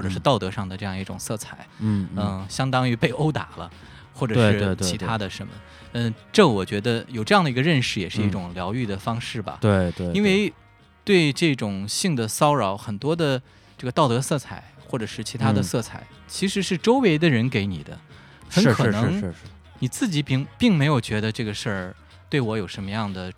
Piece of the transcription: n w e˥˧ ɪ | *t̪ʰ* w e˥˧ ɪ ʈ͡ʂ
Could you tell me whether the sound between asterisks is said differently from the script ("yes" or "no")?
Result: yes